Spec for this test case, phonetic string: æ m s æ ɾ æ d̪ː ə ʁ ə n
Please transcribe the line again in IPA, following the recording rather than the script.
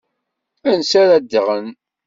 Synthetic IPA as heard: æ n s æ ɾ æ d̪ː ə ʁ ə n